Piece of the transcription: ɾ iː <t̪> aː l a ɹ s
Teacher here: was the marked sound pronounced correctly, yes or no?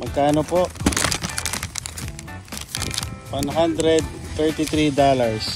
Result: no